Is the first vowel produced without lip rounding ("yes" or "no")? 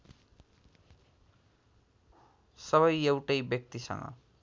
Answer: yes